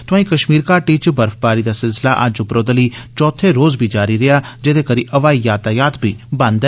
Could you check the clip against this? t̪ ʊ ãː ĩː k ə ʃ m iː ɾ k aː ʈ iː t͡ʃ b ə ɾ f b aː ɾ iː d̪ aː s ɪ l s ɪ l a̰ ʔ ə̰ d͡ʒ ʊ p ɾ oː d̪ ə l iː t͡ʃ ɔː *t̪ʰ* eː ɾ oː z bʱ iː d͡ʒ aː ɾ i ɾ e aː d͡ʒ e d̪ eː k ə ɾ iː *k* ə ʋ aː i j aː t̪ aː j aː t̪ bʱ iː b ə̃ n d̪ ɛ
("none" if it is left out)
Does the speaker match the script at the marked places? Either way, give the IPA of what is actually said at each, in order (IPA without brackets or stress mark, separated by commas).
t̪ʰ, ʔ